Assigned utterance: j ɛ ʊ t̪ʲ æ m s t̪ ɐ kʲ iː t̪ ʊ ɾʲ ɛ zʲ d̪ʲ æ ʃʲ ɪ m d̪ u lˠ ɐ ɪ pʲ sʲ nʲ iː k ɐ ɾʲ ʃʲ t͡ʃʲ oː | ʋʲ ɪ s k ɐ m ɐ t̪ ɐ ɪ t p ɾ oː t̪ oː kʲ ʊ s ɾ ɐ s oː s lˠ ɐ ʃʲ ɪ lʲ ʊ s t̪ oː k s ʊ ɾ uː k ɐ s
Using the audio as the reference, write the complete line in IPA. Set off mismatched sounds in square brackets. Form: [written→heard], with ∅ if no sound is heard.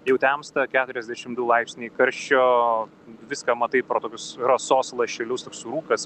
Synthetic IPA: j ɛ ʊ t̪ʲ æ m s t̪ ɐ kʲ [iː→æː] t̪ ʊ ɾʲ ɛ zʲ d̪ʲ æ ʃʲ ɪ m d̪ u lˠ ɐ ɪ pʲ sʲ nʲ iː k ɐ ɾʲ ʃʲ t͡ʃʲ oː | ʋʲ ɪ s k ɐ m ɐ t̪ ɐ ɪ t p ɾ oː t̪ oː kʲ ʊ s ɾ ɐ s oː s lˠ ɐ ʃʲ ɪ lʲ ʊ s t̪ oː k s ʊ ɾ uː k ɐ s